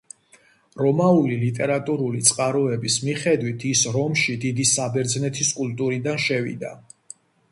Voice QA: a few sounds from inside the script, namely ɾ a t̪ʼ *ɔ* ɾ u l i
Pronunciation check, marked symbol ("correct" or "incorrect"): incorrect